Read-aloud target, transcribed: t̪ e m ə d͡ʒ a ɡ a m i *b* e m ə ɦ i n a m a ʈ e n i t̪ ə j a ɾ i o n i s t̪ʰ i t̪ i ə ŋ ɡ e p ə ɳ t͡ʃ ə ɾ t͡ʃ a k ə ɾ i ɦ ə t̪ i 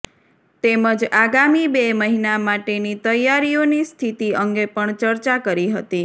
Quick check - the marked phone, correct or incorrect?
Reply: correct